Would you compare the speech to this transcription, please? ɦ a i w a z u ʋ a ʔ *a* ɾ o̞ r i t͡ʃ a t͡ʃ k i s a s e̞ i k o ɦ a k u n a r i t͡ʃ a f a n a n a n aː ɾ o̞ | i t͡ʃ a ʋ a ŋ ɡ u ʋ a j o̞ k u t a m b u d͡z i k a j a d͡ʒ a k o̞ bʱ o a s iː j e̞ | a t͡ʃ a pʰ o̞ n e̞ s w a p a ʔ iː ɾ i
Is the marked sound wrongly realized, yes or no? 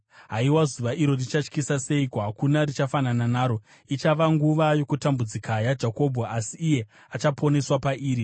yes